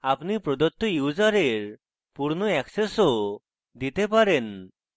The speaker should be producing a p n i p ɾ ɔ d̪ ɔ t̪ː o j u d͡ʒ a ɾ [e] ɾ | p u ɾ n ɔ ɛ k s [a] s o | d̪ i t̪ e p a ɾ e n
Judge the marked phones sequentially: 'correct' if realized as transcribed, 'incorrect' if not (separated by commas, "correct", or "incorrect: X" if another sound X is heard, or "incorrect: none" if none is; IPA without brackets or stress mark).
correct, incorrect: e